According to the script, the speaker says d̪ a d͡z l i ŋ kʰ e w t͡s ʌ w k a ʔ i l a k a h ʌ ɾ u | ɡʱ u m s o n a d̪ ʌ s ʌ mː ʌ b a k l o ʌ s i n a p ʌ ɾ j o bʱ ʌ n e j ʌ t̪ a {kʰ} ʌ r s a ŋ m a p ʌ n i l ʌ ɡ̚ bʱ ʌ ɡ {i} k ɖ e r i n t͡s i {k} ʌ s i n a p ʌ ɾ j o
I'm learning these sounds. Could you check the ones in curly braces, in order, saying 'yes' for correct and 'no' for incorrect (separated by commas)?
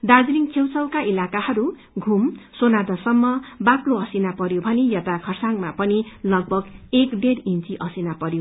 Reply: yes, no, no